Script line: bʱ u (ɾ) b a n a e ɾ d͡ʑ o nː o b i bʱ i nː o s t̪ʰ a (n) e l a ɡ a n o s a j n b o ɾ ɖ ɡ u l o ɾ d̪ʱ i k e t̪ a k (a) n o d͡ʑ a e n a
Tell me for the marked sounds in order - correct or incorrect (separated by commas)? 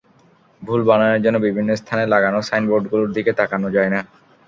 incorrect, correct, correct